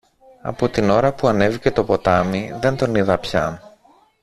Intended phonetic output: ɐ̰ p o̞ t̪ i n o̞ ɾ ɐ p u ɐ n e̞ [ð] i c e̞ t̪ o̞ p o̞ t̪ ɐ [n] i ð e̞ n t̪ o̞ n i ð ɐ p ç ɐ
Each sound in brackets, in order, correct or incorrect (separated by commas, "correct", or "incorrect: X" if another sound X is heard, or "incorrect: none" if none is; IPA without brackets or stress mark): incorrect: v, incorrect: m